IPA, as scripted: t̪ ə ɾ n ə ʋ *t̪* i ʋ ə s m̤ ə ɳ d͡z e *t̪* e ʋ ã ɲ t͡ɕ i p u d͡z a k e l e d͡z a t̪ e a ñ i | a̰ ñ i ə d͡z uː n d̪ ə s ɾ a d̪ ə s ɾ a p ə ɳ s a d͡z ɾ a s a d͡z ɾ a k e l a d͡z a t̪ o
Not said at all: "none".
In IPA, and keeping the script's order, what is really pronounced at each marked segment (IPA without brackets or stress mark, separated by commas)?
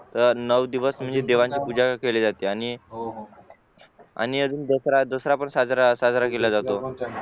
d̪, d̪